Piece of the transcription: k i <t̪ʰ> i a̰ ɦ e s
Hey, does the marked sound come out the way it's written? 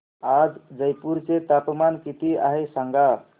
no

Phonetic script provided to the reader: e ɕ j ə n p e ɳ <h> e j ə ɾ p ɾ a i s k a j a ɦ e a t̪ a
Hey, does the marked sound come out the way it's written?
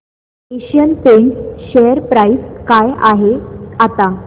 no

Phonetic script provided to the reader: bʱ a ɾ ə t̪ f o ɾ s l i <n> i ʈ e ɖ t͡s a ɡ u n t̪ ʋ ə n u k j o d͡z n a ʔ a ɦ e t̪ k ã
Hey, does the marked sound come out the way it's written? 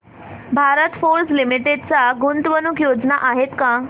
no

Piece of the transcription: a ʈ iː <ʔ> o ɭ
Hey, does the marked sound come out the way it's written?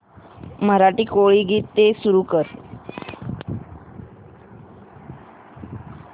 no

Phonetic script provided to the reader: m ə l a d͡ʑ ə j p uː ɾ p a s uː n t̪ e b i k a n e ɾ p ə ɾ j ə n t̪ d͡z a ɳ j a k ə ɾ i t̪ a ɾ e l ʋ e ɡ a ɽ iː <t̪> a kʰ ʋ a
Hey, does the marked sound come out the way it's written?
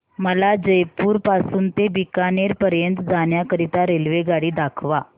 no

